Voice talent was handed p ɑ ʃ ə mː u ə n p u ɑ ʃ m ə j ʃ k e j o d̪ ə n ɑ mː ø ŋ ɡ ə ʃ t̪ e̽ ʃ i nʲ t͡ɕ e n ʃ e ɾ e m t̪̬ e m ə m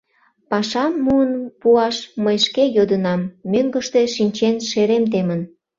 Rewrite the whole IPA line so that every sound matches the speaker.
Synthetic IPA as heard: p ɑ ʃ ɑ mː u ə n p u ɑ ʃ m ə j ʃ k e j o d̪ ə n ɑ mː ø ŋ ɡ ə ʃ t̪ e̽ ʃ i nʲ t͡ɕ e n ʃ e ɾ e m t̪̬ e m ə n